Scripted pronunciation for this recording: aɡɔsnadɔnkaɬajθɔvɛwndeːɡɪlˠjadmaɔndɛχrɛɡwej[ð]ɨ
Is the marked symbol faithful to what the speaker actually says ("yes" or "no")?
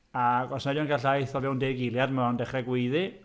yes